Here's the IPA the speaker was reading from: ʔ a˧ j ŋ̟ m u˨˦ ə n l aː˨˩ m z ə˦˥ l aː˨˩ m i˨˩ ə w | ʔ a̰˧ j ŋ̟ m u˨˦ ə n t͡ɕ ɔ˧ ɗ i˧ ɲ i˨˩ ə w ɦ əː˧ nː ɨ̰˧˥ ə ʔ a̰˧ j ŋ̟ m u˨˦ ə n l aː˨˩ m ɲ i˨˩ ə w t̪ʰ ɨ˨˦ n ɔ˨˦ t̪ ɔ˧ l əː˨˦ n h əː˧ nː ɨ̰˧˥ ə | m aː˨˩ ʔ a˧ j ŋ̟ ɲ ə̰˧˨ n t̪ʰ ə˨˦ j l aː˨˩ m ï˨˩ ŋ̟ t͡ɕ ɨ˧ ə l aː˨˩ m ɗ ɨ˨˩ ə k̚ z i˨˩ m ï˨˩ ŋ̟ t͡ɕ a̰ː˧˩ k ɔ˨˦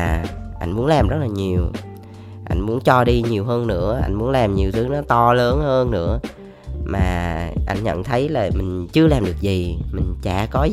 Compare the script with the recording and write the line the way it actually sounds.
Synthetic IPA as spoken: ʔ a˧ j ŋ̟ m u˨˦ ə n l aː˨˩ m z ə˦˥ l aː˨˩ ɲ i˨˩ ə w | ʔ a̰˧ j ŋ̟ m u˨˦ ə n t͡ɕ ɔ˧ ɗ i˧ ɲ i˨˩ ə w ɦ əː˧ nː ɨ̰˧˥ ə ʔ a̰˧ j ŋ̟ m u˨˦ ə n l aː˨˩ m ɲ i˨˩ ə w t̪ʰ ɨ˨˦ n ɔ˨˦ t̪ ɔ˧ l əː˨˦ n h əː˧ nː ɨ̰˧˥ ə | m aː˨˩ ʔ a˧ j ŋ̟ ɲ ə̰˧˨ n t̪ʰ ə˨˦ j l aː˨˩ m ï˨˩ ŋ̟ t͡ɕ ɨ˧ ə l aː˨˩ m ɗ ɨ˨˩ ə k̚ z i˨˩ m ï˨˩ ŋ̟ t͡ɕ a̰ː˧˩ k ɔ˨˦